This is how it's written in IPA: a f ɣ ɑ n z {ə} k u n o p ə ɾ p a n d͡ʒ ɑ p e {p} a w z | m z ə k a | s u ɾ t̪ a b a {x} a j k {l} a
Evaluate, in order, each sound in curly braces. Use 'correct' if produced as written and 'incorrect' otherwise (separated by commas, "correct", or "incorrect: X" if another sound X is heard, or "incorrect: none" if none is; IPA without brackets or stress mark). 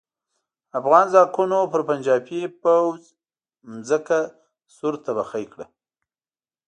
incorrect: ɑ, correct, correct, incorrect: ɽ